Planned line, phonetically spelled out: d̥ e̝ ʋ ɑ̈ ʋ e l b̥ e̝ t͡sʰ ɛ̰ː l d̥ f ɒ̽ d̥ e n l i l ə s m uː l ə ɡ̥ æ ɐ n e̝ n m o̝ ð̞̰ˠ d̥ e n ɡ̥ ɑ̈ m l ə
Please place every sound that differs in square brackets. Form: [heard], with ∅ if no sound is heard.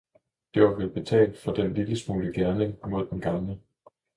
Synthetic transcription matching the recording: d̥ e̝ ʋ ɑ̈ ʋ e l b̥ e̝ t͡sʰ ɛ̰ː l d̥ f ɒ̽ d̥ e n l i l ə s m uː l ə ɡ̥ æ ɐ n e̝ [ŋ] m o̝ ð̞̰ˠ d̥ e n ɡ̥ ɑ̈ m l ə

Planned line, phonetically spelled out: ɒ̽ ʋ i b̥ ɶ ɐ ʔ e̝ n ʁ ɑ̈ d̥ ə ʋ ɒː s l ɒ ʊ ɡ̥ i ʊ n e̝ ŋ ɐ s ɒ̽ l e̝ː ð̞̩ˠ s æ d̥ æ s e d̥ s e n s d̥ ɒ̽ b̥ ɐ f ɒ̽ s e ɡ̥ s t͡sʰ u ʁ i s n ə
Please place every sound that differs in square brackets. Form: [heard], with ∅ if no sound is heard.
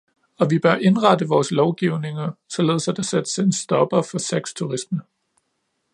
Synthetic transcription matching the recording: ɒ̽ ʋ i b̥ ɶ ɐ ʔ e̝ n ʁ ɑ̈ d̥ ə ʋ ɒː s l ɒ ʊ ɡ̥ i ʊ n e̝ ŋ ɐ s ɒ̽ l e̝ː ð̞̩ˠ s æ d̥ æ s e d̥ s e n s d̥ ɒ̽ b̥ ɐ f ɒ̽ s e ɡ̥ s t͡sʰ u ʁ i s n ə

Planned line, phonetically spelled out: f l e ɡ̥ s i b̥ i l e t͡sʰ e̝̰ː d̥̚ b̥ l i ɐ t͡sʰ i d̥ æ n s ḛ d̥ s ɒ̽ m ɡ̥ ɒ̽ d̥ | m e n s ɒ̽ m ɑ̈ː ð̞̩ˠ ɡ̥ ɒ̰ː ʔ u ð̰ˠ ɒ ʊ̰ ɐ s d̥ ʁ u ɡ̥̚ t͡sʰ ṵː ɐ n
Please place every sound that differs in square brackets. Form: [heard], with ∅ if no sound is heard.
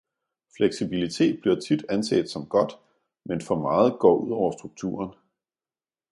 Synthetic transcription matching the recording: f l e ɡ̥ s i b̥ i l [i] t͡sʰ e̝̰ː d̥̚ b̥ l i ɐ t͡sʰ i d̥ æ n s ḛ d̥ s ɒ̽ m ɡ̥ ɒ̽ d̥ | m e n [f] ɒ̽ m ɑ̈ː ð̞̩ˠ ɡ̥ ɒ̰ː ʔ u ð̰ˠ ɒ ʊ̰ ɐ s d̥ ʁ u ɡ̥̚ t͡sʰ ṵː ɐ n

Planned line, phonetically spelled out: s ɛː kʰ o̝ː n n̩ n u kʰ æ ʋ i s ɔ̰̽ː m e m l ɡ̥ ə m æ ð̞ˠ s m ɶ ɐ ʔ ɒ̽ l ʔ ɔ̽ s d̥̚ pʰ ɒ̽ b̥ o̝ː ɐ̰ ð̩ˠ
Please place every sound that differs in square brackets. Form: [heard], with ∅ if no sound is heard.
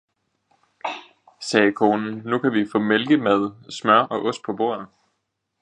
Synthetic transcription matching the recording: s ɛː kʰ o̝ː n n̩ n u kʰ æ ʋ i [f] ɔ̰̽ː m e [∅] l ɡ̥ ə m æ ð̞ˠ s m ɶ ɐ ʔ ɒ̽ [∅] ʔ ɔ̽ s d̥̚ pʰ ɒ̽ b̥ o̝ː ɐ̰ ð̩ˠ

